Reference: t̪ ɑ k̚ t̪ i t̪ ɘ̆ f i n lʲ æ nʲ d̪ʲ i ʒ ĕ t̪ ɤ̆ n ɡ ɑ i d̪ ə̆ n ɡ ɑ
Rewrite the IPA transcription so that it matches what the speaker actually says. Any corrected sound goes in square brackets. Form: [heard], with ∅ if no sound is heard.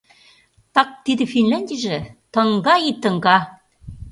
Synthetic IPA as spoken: t̪ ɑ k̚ t̪ i [d̪] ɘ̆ f i n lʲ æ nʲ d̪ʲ i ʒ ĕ t̪ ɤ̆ [ŋ] ɡ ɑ i [t̪] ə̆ [ŋ] ɡ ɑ